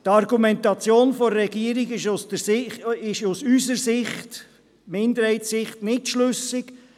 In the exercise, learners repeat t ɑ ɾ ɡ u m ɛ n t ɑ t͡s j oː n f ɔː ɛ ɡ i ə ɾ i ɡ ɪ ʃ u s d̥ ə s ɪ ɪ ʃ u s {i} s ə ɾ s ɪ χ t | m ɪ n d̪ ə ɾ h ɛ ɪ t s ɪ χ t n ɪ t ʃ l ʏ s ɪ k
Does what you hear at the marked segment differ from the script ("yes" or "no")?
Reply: yes